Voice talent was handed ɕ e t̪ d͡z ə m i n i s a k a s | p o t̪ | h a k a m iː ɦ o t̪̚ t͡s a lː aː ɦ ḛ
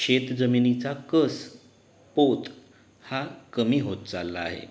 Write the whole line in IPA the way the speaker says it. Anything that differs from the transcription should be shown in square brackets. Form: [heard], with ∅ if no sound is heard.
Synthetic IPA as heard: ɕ e t̪ d͡z ə m i n i [t͡s] a k [ə] s | p o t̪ | h a k [ə] m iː ɦ o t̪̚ t͡s a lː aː ɦ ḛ